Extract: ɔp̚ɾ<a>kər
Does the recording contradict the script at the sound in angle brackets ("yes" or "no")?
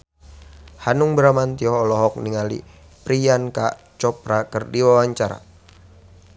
no